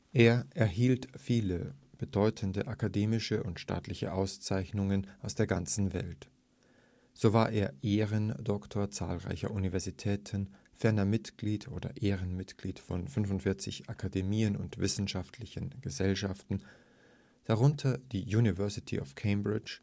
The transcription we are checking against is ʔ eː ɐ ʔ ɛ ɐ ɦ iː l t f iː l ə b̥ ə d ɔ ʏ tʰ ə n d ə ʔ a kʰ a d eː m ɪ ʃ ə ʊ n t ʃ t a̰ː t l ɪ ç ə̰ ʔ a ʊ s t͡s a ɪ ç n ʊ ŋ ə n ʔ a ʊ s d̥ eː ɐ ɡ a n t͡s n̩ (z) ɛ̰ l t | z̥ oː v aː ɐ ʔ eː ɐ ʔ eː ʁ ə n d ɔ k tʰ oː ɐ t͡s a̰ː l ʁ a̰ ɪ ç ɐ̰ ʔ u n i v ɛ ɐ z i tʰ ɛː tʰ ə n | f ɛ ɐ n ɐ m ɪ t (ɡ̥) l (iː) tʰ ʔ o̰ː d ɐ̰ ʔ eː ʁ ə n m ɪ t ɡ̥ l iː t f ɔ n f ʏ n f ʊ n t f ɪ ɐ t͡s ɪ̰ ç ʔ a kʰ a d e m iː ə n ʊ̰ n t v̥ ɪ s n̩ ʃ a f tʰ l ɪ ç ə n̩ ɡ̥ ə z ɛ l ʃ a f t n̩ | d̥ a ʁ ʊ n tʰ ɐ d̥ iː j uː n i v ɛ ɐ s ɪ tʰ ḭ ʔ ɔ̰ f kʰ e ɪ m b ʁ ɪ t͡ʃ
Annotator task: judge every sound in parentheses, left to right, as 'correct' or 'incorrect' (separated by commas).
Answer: incorrect, correct, correct